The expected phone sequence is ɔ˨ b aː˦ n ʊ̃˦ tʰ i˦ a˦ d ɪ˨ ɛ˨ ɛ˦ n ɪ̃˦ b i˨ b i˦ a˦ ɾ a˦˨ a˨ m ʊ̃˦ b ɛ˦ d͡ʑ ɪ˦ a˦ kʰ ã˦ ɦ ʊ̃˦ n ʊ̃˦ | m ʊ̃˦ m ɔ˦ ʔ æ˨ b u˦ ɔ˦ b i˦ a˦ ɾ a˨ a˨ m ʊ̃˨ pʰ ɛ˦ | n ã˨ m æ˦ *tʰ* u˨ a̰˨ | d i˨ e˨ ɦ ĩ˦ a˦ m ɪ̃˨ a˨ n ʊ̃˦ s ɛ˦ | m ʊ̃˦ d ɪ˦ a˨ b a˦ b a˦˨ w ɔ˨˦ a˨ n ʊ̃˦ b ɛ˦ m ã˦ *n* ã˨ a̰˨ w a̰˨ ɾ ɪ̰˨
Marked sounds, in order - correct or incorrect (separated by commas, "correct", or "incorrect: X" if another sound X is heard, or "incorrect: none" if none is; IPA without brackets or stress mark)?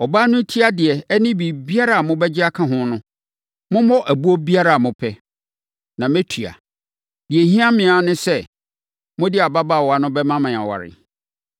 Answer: correct, incorrect: m